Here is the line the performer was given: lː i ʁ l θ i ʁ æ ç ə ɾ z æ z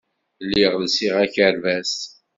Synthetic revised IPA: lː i ʁ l s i ʁ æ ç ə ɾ v æ s